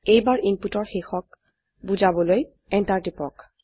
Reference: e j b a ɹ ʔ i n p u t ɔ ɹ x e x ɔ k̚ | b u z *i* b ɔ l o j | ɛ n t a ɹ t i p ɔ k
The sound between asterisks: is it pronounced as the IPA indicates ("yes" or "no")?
no